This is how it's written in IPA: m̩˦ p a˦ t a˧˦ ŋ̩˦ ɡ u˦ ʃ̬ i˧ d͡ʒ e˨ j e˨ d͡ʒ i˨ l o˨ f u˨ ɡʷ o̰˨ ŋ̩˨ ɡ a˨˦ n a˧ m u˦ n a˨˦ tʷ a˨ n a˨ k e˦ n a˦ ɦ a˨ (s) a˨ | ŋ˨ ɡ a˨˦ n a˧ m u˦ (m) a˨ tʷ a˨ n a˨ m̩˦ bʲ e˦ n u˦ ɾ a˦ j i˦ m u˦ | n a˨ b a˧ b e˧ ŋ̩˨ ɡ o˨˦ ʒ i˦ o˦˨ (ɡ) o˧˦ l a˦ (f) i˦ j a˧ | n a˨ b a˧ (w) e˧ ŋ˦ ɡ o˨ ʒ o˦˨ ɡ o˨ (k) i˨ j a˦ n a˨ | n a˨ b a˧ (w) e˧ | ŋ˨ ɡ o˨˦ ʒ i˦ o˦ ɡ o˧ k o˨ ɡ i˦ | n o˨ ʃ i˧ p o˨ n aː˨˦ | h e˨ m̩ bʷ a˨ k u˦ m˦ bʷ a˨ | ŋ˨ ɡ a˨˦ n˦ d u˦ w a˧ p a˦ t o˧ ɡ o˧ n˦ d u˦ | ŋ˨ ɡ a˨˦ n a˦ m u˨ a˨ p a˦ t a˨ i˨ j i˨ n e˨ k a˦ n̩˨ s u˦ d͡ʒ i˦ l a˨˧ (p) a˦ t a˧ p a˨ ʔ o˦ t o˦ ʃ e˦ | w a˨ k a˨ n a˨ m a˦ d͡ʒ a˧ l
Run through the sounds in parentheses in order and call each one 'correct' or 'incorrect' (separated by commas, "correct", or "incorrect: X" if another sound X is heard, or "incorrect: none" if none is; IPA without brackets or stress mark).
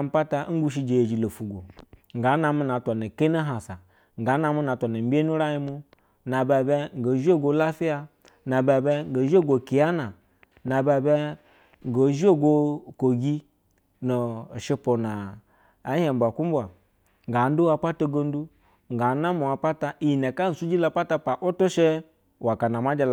correct, incorrect: n, correct, correct, incorrect: b, correct, incorrect: b, correct